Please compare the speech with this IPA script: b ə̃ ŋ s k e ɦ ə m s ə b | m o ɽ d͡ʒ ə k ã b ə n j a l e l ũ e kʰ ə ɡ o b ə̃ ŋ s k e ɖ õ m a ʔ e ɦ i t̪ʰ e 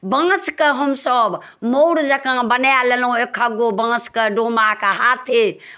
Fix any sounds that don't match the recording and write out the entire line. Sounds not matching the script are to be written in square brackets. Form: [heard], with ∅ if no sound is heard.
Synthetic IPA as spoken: b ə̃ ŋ s k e ɦ ə m s ə b | m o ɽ d͡ʒ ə k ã b ə n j a l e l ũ e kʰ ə ɡ o b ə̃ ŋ s k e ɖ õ m a [k] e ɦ [a] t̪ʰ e